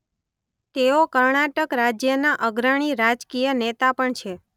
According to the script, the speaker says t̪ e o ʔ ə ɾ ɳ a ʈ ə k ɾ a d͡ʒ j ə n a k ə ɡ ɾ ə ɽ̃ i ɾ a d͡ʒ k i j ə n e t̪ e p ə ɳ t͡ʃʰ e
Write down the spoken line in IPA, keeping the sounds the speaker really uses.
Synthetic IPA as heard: t̪ e o k ə ɾ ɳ a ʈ ə k ɾ a d͡ʒ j ə n a ʔ ə ɡ ɾ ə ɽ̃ i ɾ a d͡ʒ k i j ə n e t̪ a p ə ɳ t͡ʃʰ e